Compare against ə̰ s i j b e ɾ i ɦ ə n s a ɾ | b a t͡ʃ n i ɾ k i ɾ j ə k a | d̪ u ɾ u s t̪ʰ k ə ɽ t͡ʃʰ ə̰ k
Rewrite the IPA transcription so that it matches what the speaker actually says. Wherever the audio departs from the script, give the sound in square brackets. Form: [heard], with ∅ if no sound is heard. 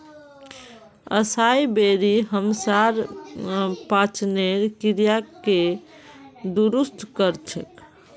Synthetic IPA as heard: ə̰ s [a] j b e ɾ i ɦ ə [m] s a ɾ | [p] a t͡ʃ n [e] ɾ k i ɾ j [a] k [e] | d̪ u ɾ u s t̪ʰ k ə [ɾ] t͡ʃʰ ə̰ k